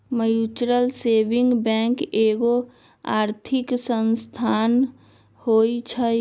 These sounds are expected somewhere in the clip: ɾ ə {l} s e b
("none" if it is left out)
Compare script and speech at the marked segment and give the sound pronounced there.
l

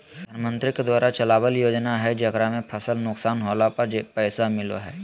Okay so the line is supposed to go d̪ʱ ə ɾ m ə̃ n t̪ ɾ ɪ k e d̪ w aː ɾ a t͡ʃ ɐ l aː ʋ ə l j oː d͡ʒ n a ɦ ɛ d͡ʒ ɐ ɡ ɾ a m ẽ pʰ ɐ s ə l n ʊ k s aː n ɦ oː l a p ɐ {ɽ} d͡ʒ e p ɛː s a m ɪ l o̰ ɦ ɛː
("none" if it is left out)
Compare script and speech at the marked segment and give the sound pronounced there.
ɾ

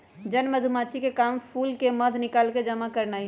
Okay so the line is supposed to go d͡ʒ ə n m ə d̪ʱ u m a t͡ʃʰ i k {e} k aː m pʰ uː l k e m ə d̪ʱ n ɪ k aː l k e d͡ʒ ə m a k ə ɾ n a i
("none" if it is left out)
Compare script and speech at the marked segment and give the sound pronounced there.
e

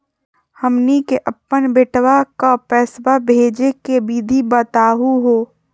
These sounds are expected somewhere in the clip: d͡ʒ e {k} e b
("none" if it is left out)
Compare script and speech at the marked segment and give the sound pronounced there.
k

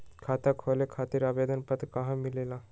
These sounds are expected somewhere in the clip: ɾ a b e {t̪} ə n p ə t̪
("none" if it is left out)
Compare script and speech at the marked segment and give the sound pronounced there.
d̪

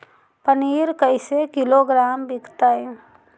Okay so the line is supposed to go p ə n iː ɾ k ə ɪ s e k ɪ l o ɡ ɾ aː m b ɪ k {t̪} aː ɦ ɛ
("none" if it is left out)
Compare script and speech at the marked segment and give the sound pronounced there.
t̪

